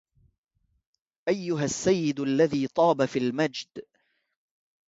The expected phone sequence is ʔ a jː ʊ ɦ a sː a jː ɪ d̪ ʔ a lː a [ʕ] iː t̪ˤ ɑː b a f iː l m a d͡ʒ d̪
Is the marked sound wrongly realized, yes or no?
yes